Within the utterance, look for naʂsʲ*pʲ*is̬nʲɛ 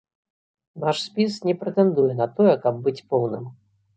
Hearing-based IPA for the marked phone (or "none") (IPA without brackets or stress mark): pʲ